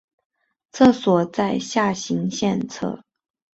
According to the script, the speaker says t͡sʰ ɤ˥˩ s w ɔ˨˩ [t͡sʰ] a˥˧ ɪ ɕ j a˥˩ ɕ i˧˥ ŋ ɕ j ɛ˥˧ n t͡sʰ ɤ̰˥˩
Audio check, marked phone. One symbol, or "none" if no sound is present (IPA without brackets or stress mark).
t͡s